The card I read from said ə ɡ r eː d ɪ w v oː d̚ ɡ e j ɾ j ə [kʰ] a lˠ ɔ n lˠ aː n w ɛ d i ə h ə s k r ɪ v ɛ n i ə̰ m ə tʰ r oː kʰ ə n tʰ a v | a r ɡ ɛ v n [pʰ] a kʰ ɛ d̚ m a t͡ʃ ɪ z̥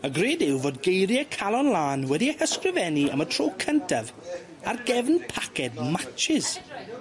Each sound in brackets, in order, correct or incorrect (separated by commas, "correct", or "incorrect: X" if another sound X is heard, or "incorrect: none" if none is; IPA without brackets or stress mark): correct, correct